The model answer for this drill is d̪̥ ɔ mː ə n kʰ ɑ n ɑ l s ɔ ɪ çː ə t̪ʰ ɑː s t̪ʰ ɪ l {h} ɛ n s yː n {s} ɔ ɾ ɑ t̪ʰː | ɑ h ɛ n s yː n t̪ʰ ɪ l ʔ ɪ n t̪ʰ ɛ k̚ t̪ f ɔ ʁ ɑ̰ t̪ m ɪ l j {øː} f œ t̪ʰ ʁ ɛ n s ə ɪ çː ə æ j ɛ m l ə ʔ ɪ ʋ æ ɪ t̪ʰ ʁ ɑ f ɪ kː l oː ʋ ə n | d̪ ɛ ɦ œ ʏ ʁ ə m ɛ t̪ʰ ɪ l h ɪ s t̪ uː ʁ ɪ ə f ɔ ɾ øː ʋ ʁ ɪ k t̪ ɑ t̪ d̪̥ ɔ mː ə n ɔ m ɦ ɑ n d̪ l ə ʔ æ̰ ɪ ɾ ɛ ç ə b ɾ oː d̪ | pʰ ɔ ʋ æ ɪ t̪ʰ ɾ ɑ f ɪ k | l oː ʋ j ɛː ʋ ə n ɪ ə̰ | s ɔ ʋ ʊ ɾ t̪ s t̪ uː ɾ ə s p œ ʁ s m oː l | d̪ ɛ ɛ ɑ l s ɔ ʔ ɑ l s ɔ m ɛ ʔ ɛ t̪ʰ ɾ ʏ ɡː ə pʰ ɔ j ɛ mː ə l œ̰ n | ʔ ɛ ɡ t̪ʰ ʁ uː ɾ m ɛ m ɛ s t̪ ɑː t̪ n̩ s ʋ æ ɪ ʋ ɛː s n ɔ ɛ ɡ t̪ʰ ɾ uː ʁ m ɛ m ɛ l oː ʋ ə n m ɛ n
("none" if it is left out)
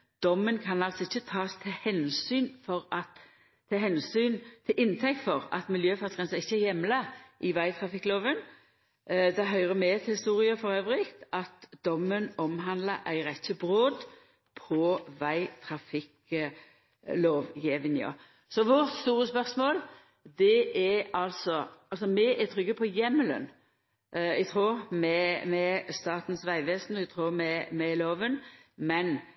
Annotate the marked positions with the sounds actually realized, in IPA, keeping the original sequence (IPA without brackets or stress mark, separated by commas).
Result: h, f, øː